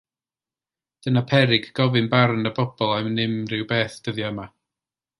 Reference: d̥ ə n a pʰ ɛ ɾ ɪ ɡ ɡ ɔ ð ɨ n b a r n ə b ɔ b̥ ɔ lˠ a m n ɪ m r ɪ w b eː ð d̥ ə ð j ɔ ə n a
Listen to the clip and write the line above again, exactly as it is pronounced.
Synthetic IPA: d̥ ə n a pʰ ɛ ɾ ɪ ɡ ɡ ɔ v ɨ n b a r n ə b ɔ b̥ ɔ lˠ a m n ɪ m r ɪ w b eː θ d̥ ə ð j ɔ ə m a

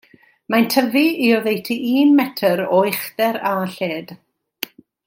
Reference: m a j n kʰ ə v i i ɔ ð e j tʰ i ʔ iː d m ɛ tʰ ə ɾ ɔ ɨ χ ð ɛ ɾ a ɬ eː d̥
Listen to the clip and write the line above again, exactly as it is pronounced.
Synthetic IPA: m a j n tʰ ə v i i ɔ ð e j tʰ i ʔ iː n m ɛ tʰ ə ɾ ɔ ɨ χ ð ɛ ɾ a ɬ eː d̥

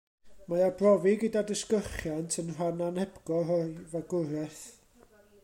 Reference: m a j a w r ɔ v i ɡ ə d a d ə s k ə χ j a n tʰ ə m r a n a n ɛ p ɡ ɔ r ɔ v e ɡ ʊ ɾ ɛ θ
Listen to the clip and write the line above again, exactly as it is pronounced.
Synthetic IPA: m a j a b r ɔ v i ɡ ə d a d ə s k ə χ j a n tʰ ə n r a n a n ɛ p ɡ ɔ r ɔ v a ɡ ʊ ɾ ɛ θ

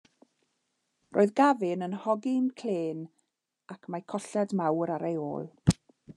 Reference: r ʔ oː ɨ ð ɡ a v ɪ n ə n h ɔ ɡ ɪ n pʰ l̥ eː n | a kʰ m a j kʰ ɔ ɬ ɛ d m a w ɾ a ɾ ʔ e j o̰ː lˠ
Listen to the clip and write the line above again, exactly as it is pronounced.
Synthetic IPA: r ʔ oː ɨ ð ɡ a v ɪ n ə n h ɔ ɡ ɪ n kʰ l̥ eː n | a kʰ m a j kʰ ɔ ɬ ɛ d m a w ɾ a ɾ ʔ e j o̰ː lˠ

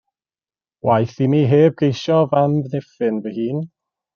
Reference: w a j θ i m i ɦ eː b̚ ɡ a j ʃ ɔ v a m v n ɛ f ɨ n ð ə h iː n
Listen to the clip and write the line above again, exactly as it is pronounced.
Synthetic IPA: w a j θ i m i ɦ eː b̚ ɡ e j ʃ ɔ v a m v n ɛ f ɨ n v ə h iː n

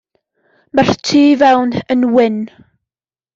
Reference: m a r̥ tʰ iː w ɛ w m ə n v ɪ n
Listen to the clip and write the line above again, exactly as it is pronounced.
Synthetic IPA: m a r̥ tʰ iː v ɛ w n ə n w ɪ n

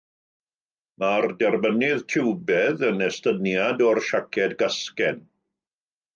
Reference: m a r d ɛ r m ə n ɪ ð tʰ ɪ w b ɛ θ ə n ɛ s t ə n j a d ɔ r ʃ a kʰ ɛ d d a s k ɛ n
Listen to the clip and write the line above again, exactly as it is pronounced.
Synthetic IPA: m a r d ɛ r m ə n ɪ ð tʰ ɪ w b ɛ ð ə n ɛ s t ə n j a d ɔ r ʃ a kʰ ɛ d ɡ a s k ɛ n

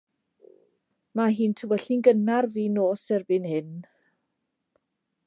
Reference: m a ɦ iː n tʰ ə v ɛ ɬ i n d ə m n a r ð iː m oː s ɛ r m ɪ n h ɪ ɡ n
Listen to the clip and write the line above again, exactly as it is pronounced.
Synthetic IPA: m a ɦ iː n tʰ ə w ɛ ɬ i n ɡ ə n a r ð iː n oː s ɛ r b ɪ n h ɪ n

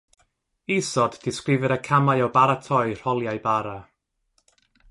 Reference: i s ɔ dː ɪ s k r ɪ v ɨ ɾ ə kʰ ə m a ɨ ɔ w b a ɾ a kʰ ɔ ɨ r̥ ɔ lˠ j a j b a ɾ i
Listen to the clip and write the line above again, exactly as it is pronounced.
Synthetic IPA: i s ɔ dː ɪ s k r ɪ v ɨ ɾ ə kʰ a m a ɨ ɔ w b a ɾ a tʰ ɔ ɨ r̥ ɔ lˠ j a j b a ɾ a

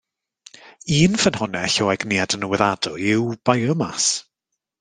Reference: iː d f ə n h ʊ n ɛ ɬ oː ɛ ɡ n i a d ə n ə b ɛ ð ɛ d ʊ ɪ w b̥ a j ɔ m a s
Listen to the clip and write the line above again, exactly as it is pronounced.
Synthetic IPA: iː n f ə n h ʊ n ɛ ɬ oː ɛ ɡ n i a d ə n ə w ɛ ð a d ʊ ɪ w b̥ a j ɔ m a s

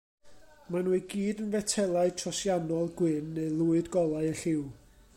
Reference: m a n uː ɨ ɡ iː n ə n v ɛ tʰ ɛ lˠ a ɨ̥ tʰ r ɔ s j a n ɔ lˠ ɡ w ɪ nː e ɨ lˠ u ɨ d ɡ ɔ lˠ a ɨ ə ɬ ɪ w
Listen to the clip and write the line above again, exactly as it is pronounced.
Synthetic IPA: m a n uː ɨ ɡ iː d ə n v ɛ tʰ ɛ lˠ a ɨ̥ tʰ r ɔ s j a n ɔ lˠ ɡ w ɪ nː e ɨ lˠ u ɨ d ɡ ɔ lˠ a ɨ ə ɬ ɪ w

